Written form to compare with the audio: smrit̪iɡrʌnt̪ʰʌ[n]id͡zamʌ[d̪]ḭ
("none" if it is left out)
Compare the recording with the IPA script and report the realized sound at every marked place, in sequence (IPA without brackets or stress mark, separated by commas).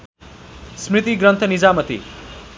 n, t̪